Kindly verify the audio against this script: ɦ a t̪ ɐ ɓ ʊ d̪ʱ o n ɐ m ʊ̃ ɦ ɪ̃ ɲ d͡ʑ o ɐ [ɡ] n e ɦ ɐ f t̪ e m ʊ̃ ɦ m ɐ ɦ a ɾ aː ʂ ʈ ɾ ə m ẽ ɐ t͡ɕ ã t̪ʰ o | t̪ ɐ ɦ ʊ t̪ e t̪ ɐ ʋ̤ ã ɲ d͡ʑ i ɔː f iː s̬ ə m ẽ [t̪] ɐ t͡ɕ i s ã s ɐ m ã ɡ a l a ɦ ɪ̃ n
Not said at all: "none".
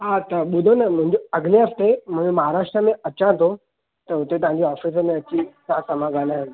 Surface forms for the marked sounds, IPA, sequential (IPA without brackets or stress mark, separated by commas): ɡ, none